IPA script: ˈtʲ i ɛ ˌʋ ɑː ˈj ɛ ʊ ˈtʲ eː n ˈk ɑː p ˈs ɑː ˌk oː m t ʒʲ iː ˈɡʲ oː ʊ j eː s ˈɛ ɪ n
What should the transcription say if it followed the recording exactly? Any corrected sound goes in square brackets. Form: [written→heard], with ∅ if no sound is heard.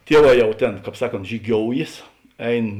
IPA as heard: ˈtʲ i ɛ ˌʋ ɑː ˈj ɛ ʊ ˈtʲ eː n ˈk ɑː p ˈs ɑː ˌk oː [m→n] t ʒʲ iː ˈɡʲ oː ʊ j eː s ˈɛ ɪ n